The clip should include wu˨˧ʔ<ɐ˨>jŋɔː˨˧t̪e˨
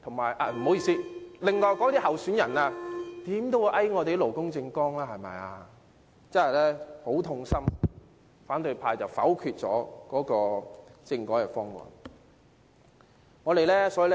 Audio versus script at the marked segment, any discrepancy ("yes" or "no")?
yes